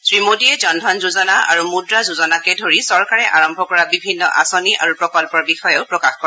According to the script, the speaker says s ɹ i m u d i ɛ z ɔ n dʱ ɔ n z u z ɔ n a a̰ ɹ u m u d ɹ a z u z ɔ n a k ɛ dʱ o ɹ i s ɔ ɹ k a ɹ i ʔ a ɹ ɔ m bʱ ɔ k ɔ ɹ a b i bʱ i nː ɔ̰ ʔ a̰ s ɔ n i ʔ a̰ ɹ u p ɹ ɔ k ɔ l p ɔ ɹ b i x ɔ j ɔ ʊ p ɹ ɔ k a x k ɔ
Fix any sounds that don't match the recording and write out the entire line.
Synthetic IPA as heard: s ɹ i m o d i ɛ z ɔ n dʱ ɔ n z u z ɔ n a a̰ ɹ u m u d ɹ a z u z ɔ n a k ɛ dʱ o ɹ i s ɔ ɹ k a ɹ ɛ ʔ a ɹ ɔ m bʱ ɔ k ɔ ɹ a b i bʱ i nː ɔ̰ ʔ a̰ s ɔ n i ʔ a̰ ɹ u p ɹ ɔ k ɔ l p ɔ ɹ b i x ɔ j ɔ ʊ p ɹ ɔ k a x k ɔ